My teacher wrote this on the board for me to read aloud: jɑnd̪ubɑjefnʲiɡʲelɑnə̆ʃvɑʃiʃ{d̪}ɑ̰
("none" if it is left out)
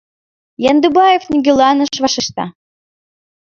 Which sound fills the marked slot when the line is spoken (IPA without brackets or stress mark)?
t̪